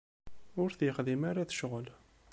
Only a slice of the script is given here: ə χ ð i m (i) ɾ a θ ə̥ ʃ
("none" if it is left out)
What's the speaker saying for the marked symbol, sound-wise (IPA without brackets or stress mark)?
a